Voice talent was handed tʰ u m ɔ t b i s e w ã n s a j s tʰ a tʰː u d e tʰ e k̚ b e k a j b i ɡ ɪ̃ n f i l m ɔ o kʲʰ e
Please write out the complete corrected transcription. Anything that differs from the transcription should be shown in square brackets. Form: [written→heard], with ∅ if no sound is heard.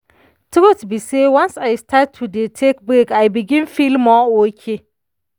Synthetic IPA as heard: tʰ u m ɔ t b i s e w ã n s a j s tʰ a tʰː u d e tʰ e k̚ b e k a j b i ɡ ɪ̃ n f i l m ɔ o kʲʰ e